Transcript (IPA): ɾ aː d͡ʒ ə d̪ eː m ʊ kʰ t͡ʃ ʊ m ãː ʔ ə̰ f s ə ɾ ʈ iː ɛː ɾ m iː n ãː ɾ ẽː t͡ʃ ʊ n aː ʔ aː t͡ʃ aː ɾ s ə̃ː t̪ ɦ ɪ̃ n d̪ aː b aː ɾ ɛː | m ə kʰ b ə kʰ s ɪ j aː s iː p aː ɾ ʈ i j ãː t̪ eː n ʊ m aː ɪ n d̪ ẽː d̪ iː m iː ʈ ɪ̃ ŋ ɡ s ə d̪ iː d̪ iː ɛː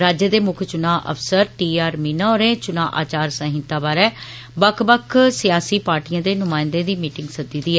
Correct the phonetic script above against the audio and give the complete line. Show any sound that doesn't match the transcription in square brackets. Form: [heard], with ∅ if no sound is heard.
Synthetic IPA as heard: ɾ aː d͡ʒ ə d̪ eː m ʊ kʰ t͡ʃ ʊ [n] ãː ʔ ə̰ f s ə ɾ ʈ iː [aː] ɾ m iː n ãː ɾ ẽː t͡ʃ ʊ n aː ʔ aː t͡ʃ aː ɾ s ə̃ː [∅] ɦ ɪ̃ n [t̪] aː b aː ɾ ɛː | [b] ə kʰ b ə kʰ s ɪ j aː s iː p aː ɾ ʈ i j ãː [d̪] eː n ʊ m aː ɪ n d̪ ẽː d̪ iː m iː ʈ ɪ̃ ŋ ɡ s ə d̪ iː d̪ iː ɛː